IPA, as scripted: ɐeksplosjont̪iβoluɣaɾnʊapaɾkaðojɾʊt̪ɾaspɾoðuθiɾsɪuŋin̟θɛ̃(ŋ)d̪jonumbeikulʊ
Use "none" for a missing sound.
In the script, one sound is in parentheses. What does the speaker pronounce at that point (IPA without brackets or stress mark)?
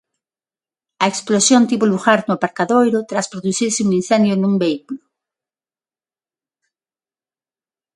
n